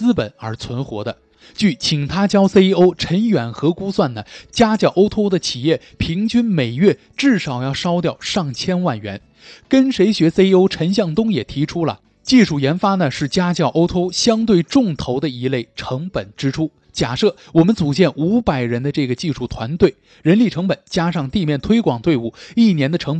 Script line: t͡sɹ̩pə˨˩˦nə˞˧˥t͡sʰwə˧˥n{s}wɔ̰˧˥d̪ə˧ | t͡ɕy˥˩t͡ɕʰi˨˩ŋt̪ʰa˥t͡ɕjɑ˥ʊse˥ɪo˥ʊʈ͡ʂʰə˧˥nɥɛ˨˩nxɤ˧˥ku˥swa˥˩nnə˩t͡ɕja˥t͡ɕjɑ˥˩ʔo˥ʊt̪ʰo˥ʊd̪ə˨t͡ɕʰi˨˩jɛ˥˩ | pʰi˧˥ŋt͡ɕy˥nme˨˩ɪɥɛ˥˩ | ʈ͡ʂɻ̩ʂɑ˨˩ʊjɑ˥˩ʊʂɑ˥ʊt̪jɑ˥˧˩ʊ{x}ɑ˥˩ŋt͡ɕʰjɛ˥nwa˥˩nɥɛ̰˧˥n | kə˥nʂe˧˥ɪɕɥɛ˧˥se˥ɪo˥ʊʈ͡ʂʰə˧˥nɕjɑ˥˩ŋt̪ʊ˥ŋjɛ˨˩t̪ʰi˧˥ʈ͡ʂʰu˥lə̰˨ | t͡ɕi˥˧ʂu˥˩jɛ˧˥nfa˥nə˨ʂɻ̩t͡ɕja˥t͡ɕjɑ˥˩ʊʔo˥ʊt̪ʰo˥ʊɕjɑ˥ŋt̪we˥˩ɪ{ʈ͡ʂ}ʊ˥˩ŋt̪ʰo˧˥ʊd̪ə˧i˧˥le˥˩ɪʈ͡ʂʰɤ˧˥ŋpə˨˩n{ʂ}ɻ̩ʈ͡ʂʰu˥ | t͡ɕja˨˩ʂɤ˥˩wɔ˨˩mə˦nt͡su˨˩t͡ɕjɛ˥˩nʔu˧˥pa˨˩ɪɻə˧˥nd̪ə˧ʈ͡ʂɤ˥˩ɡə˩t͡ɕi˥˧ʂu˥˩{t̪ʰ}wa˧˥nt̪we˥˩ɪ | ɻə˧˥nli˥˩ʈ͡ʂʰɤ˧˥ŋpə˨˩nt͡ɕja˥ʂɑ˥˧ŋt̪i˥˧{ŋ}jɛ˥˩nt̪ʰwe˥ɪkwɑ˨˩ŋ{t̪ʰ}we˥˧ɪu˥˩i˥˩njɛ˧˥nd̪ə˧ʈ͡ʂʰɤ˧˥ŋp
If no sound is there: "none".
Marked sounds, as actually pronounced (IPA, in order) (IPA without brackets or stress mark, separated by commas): x, ʂ, ʈ͡ʂ, ʈ͡ʂ, t̪ʰ, m, t̪